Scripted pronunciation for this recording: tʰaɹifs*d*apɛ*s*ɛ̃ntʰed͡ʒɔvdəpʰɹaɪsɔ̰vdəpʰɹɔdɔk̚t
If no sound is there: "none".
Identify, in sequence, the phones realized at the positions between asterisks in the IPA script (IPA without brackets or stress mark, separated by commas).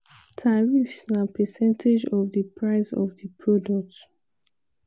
n, s